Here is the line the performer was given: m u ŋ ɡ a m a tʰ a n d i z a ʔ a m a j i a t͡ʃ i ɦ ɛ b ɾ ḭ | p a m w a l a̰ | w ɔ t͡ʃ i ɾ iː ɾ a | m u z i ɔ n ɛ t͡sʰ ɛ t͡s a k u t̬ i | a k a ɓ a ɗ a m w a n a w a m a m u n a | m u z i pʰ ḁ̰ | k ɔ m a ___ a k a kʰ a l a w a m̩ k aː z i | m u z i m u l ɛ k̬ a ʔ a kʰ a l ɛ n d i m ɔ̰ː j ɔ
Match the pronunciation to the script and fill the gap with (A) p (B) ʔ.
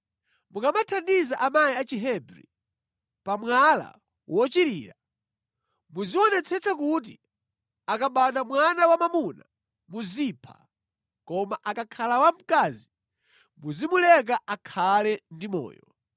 B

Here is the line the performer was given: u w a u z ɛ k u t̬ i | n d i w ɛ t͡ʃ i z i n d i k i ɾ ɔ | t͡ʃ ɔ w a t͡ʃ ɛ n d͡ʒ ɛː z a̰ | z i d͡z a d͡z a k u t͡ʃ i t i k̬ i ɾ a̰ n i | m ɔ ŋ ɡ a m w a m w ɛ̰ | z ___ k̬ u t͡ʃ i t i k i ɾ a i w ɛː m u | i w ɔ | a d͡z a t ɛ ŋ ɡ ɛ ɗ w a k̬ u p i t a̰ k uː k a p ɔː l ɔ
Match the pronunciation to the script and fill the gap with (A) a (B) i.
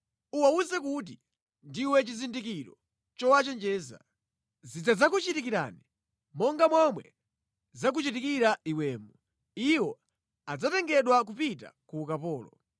A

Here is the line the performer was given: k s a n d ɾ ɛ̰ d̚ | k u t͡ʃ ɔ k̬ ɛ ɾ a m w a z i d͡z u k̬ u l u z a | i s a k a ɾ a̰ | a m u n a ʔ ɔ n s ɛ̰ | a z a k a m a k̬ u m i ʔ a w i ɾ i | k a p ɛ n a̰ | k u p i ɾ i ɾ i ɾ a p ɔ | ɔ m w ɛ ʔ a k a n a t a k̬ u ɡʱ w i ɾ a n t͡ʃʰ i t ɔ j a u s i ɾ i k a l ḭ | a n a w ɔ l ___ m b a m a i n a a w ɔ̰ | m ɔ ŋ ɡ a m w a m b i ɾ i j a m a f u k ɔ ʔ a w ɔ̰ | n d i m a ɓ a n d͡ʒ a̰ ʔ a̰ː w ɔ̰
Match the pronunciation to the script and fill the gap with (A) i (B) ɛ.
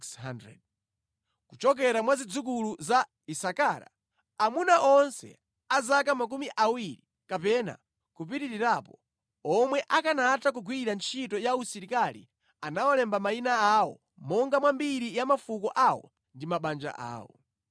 B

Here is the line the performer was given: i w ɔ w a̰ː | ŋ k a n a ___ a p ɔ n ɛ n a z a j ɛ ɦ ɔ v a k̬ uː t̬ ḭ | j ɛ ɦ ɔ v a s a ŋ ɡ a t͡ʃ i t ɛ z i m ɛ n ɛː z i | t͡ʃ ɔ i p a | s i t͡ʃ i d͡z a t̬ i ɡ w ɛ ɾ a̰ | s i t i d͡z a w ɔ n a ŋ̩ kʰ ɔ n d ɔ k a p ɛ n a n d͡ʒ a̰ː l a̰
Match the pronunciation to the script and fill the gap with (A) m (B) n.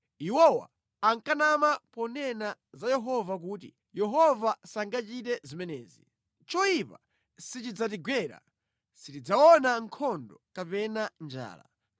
A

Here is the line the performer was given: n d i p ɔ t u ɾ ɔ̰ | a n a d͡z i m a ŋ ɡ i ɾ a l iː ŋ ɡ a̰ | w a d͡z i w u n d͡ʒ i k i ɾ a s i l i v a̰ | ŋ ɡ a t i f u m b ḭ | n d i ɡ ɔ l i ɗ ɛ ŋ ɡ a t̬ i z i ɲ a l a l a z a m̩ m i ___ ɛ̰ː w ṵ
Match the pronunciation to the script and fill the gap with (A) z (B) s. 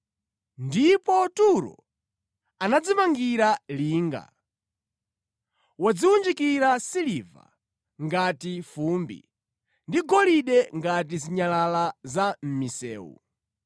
B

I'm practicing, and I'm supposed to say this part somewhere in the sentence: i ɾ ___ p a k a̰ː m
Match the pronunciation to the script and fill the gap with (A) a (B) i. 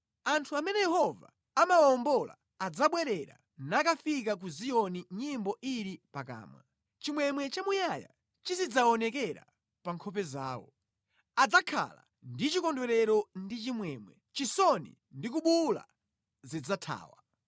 B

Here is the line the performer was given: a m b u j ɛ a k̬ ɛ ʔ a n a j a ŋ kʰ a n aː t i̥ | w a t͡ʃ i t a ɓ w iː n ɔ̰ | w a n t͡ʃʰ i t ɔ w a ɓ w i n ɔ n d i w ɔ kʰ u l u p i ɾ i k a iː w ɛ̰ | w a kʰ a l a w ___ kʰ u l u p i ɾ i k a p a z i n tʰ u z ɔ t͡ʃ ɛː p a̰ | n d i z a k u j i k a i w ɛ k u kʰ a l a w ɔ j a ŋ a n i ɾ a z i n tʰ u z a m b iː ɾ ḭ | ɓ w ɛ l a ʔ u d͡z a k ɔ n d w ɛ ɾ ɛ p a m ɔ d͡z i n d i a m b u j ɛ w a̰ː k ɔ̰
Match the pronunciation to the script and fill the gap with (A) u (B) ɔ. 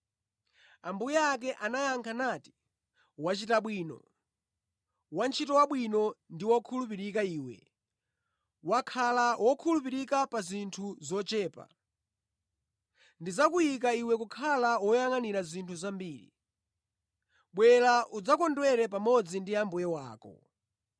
B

